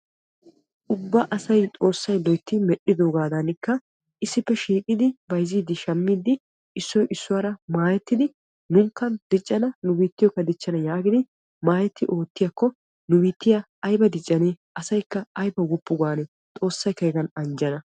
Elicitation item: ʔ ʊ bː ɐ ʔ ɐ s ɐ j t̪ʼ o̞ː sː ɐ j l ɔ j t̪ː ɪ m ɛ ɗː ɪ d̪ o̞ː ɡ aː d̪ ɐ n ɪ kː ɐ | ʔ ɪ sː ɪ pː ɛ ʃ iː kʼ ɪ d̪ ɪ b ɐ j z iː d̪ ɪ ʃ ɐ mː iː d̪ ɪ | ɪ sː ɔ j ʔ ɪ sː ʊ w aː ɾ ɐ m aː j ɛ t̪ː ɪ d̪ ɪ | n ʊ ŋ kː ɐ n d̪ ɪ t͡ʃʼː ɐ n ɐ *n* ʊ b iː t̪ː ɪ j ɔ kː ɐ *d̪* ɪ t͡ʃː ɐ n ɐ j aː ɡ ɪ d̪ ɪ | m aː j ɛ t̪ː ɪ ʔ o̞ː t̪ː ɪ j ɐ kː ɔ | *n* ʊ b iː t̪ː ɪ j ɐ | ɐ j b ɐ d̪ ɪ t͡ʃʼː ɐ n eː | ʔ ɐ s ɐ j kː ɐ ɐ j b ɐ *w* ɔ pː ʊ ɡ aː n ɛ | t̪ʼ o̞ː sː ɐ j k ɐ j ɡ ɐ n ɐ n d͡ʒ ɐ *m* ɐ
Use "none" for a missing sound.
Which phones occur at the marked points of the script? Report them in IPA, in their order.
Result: n, d̪, n, w, n

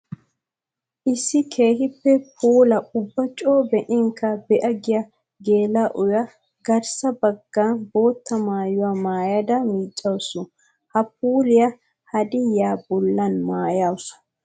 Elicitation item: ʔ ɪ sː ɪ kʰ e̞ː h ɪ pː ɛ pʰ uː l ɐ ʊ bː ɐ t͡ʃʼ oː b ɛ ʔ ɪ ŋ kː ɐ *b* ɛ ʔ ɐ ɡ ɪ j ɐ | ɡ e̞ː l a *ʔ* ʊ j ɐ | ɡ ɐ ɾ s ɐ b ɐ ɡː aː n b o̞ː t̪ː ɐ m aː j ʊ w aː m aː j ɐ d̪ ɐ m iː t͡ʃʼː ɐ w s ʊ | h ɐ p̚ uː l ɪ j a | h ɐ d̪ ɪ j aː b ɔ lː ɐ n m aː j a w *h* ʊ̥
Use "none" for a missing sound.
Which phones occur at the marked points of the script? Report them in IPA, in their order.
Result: b, ʔ, s

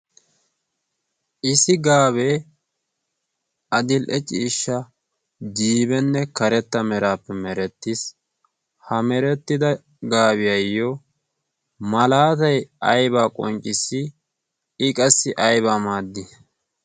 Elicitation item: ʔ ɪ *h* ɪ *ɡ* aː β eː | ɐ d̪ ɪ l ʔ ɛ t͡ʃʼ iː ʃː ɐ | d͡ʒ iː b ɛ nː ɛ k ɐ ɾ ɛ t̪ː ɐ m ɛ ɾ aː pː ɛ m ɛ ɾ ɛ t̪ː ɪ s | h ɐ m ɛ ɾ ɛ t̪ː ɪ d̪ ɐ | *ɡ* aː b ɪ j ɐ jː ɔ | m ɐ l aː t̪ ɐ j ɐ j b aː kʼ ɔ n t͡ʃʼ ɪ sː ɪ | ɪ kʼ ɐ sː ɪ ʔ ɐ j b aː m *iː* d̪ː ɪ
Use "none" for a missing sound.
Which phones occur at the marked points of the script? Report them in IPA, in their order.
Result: s, ɡ, ɡ, aː

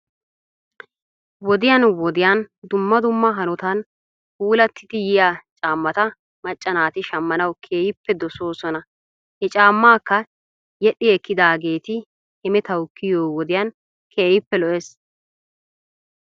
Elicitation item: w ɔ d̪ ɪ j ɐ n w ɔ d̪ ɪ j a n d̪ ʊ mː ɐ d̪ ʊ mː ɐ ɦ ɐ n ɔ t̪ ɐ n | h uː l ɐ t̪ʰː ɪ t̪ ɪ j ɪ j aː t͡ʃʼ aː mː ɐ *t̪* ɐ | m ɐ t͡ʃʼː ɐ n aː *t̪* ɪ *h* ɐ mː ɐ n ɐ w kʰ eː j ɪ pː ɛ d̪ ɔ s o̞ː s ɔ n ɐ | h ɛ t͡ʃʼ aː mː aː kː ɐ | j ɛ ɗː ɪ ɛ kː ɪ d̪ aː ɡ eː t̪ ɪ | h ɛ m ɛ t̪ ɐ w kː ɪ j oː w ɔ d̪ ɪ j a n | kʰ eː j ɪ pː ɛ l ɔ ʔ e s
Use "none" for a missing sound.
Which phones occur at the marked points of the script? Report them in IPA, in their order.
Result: t̪, t̪, ʃ

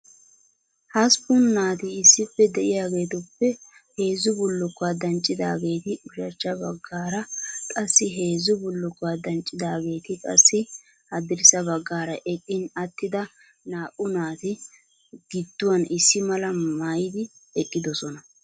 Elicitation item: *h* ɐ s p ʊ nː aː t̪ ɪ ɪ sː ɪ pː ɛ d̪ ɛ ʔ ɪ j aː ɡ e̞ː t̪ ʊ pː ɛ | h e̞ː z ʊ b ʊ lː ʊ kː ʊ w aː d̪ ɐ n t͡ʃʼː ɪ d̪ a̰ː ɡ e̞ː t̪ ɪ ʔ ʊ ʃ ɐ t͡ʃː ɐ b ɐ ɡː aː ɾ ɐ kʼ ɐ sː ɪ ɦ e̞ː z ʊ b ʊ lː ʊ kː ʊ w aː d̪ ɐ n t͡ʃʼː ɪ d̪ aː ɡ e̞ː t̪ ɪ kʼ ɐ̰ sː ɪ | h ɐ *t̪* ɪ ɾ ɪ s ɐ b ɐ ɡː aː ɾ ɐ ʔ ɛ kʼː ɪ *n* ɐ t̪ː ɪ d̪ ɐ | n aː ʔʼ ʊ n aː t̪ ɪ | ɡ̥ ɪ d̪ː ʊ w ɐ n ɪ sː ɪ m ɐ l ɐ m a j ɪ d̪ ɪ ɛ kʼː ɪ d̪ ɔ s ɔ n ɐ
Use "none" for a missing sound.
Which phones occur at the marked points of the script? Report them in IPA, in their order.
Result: h, d̪, n

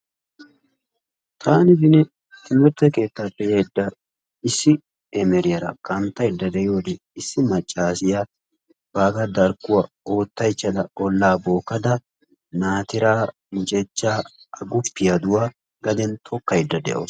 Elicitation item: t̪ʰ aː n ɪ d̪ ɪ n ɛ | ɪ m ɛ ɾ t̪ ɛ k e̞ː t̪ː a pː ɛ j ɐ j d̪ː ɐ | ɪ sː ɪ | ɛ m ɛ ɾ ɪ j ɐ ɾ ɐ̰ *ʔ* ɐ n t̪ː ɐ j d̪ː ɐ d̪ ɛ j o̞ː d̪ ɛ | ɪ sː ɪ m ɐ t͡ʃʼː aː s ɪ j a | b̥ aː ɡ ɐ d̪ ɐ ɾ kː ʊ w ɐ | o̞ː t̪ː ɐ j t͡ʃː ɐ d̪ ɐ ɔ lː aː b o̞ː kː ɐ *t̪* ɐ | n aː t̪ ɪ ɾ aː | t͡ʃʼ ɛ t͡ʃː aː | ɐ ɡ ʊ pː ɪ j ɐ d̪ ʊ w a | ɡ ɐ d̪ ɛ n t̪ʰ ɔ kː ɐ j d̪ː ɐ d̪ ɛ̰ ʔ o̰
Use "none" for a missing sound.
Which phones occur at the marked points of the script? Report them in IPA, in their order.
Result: k, d̪

